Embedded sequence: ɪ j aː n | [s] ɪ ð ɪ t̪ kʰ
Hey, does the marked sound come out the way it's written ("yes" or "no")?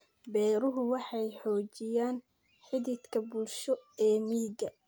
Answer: no